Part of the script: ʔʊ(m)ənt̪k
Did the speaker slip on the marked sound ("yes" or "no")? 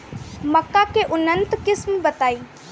yes